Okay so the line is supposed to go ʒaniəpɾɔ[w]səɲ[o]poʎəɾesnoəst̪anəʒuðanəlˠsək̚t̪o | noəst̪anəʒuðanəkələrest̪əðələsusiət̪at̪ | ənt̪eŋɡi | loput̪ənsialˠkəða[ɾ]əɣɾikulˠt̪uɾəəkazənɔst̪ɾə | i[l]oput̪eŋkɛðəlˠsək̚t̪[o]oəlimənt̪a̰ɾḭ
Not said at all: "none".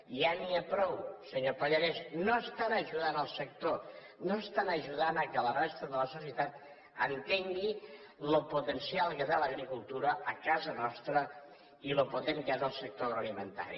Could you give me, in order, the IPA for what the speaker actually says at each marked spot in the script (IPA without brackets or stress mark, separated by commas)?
w, o, l, l, o